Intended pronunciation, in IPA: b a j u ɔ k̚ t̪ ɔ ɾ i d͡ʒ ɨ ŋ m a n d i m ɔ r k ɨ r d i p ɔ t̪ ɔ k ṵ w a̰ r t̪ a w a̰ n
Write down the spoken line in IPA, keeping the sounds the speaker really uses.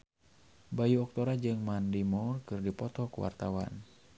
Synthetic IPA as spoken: b a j u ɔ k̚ t̪ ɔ ɾ a d͡ʒ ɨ ŋ m a n d i m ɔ r k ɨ r d i p ɔ t̪ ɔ k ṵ w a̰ r t̪ a w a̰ n